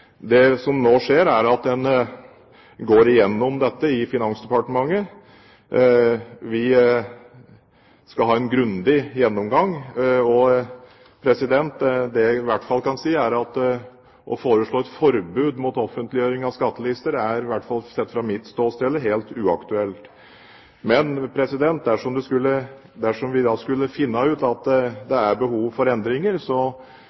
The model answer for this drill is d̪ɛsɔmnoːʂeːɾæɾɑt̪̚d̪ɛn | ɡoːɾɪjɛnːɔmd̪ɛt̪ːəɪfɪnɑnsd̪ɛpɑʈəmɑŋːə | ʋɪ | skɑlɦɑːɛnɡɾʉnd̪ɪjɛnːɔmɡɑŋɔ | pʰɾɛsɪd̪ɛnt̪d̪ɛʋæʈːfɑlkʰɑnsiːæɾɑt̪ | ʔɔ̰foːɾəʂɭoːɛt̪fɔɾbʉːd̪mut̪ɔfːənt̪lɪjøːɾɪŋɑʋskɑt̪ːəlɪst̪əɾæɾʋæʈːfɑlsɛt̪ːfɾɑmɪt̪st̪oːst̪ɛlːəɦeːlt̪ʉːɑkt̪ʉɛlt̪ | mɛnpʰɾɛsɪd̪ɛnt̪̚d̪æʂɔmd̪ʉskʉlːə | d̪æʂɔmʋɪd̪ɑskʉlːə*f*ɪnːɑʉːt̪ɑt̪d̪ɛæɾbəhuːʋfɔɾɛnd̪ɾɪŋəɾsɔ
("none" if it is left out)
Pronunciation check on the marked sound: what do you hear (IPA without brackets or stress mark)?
f